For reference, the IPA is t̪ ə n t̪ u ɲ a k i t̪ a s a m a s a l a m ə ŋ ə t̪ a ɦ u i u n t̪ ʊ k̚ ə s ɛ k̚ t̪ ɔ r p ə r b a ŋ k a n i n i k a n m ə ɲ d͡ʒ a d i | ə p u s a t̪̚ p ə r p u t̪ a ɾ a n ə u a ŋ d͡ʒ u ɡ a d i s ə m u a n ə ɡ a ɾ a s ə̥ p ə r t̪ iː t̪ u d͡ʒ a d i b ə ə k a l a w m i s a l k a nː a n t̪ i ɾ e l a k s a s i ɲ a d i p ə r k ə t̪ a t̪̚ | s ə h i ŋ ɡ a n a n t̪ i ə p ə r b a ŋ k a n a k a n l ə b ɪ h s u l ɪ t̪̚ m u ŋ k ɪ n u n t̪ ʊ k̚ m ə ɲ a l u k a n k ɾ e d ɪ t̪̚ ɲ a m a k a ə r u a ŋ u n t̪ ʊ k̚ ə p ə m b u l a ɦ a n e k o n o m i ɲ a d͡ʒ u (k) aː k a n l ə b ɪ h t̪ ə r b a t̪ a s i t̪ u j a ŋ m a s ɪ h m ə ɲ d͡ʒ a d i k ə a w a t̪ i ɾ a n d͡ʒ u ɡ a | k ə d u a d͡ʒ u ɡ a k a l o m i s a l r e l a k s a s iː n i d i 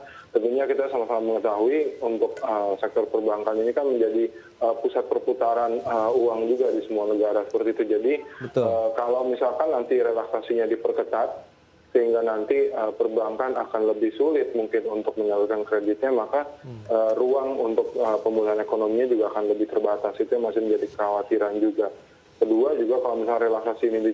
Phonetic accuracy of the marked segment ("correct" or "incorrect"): incorrect